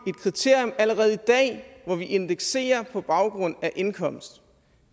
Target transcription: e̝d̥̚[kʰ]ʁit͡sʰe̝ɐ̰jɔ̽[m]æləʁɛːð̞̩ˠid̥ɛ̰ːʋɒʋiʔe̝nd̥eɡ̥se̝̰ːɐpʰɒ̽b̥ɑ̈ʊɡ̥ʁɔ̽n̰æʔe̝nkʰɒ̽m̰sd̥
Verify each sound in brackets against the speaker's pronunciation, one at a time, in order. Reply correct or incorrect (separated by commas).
correct, correct